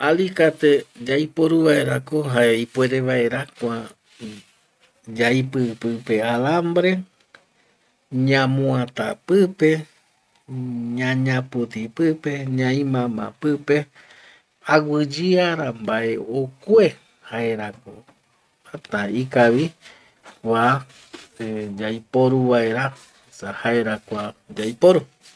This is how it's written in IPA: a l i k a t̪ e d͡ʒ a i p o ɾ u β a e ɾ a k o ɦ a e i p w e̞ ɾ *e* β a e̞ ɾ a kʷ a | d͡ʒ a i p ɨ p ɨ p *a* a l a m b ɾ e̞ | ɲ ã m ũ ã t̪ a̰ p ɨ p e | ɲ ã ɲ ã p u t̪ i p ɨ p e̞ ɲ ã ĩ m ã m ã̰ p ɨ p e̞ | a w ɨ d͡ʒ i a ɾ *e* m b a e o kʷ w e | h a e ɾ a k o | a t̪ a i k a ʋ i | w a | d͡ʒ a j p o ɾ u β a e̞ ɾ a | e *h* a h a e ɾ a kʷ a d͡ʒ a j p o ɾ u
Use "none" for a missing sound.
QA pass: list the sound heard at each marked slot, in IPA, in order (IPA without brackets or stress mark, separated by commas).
e, e, a, s